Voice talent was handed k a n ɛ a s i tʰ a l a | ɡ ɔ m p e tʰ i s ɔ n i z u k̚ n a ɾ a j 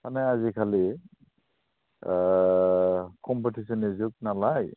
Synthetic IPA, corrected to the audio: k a n ɛ a z i kʰ a l i | k ɔ m p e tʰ i s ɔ n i z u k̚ n a l a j